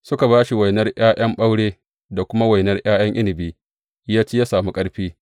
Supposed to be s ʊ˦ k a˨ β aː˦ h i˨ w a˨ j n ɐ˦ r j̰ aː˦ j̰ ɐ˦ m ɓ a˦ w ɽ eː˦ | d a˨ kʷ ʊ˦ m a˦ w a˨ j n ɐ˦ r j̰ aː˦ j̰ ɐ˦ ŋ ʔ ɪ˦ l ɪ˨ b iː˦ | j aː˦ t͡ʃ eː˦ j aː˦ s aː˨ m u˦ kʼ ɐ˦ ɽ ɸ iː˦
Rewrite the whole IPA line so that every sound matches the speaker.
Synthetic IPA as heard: s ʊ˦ k a˨ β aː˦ ʃ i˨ w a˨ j n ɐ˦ r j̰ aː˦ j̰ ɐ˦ m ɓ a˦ w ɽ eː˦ | d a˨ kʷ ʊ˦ m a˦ w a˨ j n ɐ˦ r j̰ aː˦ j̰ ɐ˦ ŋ ʔ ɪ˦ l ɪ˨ b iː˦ | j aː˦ t͡ʃ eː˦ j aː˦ s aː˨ m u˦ kʼ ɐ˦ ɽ ɸ iː˦